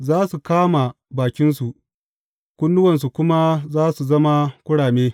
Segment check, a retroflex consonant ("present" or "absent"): present